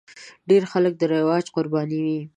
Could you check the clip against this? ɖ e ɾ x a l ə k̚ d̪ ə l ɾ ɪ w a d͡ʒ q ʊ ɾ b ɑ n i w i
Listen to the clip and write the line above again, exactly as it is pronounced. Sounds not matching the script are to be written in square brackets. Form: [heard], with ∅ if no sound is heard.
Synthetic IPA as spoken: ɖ e ɾ x a l ə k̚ d̪ ə [∅] ɾ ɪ w [ɑ] d͡ʒ q ʊ ɾ b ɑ n i w i